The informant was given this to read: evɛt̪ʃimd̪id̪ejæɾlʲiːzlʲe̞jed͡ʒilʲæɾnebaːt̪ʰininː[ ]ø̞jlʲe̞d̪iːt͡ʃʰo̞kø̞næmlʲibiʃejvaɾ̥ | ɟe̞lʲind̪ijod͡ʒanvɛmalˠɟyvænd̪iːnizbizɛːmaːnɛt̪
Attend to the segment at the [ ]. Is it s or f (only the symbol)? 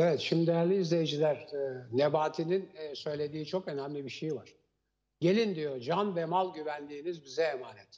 s